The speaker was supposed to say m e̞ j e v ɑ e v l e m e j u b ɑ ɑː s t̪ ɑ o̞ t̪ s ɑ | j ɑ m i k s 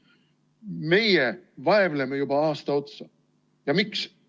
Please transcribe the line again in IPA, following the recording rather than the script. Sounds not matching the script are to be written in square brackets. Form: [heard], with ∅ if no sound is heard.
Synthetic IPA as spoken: m e̞ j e v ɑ e v l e m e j u b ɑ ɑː s t̪ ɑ o̞ t̪ s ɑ | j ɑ m i k s